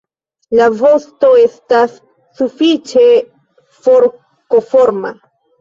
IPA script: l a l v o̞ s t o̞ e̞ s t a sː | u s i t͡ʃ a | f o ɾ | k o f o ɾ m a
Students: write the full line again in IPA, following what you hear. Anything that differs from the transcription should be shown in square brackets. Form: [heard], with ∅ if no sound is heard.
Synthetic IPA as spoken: l a [∅] v o̞ s t o̞ e̞ s t a sː | u [f] i t͡ʃ [e] | f o ɾ | k o f o ɾ m a